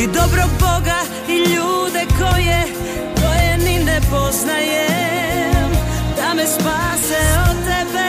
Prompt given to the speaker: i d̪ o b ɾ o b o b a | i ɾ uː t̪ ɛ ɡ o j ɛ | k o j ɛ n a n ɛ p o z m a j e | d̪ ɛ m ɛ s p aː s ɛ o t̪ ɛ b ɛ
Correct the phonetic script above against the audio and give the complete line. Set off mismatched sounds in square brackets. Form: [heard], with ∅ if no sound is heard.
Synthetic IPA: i d̪ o b ɾ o b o [ɡ] a | i [ʎ] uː [d̪] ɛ [k] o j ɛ | k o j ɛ n [i] n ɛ p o z [n] a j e | d̪ [a] m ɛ s p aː s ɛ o t̪ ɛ b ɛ